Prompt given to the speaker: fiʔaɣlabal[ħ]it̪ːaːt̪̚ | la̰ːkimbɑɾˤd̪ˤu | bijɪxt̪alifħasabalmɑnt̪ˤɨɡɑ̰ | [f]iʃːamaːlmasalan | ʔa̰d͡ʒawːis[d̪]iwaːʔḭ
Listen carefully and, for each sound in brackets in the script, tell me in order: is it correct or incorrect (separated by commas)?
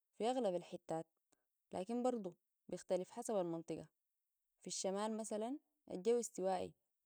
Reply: correct, correct, incorrect